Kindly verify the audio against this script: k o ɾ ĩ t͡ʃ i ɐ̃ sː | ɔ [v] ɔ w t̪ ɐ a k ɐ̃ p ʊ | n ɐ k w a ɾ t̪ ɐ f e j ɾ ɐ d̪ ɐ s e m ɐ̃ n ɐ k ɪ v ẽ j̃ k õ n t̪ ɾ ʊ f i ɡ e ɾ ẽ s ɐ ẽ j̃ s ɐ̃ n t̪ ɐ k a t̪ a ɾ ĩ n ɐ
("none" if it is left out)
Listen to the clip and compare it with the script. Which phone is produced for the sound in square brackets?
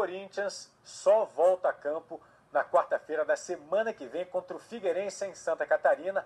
v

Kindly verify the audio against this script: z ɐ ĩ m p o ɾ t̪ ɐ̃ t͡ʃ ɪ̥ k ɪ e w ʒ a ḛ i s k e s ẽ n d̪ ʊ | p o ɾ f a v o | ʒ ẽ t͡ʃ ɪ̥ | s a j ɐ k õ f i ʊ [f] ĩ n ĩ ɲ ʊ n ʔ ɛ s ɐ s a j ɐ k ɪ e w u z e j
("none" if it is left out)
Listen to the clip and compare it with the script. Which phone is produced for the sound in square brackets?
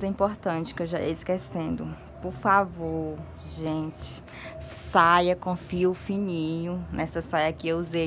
f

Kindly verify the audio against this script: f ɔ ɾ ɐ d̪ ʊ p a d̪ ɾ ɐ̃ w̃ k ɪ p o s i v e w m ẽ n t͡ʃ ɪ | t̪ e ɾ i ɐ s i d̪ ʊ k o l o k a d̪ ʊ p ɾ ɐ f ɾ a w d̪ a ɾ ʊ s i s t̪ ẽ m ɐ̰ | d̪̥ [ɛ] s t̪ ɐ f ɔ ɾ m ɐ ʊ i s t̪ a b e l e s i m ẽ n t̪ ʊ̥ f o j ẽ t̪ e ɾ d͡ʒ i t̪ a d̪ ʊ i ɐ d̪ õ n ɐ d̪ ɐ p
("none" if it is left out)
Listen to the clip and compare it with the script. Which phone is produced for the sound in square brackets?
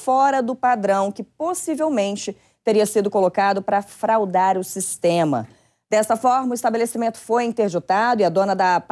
ɛ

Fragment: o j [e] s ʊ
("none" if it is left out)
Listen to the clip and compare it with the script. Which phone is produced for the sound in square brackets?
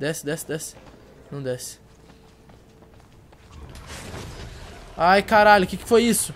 i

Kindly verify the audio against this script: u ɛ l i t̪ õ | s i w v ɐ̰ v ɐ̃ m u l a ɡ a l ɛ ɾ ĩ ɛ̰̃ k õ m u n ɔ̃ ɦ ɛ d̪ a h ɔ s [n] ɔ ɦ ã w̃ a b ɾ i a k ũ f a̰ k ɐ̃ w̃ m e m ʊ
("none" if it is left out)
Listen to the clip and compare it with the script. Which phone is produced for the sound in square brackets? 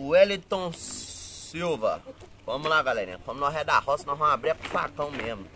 n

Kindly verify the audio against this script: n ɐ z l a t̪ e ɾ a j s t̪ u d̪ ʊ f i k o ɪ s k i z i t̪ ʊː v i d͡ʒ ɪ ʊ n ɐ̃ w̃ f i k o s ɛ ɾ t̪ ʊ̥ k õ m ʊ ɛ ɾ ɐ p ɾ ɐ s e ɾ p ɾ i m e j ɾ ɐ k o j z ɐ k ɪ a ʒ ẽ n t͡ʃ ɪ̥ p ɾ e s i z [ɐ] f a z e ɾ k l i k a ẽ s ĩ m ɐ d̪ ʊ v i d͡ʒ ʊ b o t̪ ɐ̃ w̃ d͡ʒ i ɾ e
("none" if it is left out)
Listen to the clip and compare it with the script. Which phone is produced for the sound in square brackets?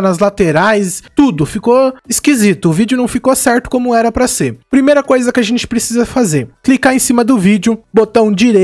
ɐ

